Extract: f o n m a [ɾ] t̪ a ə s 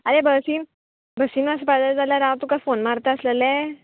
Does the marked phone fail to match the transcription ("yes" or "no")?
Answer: no